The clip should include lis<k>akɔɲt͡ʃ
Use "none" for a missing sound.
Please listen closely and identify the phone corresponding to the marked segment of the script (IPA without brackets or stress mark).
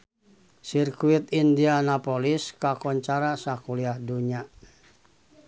k